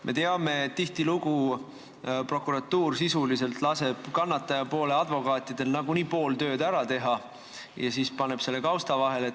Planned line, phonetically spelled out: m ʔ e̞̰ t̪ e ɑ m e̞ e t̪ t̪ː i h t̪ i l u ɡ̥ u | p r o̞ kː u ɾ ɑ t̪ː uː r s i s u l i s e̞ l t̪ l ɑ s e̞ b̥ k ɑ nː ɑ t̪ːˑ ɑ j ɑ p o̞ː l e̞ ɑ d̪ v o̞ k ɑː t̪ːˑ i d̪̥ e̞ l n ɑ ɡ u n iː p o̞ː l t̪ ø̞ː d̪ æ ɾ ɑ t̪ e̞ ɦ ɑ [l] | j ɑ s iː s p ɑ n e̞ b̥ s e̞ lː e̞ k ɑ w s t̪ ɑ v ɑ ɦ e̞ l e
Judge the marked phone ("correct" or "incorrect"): incorrect